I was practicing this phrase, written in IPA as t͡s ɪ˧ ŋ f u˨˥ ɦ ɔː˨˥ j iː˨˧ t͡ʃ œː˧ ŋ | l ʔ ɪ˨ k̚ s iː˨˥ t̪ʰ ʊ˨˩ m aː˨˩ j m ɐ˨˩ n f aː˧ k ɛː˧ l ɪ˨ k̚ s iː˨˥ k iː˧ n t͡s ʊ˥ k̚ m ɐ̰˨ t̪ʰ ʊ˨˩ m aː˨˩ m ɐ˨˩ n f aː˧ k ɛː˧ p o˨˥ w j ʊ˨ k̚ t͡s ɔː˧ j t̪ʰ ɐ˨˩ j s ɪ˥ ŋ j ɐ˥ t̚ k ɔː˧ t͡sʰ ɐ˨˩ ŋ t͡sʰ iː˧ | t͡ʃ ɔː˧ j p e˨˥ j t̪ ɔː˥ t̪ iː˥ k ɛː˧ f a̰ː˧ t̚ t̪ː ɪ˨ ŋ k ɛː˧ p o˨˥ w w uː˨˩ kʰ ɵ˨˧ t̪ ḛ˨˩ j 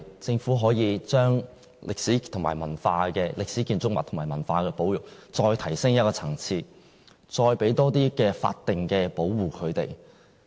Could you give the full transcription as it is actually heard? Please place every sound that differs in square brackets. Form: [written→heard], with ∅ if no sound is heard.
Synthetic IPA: t͡s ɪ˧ ŋ f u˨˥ ɦ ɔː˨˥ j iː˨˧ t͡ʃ [œː˧→œː˥] ŋ | l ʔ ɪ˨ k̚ s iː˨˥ t̪ʰ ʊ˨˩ m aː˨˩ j m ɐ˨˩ n f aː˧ k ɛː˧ l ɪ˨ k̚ s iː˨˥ k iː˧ n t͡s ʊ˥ k̚ m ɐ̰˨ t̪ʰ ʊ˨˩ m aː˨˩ m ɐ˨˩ n f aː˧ k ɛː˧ p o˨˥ w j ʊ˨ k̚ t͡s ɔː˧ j t̪ʰ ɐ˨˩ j s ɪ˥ ŋ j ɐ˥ t̚ k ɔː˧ t͡sʰ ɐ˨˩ ŋ t͡sʰ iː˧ | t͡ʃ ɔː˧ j p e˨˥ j t̪ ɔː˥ t̪ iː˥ k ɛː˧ f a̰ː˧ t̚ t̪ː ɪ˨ ŋ k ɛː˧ p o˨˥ w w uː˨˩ kʰ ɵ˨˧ t̪ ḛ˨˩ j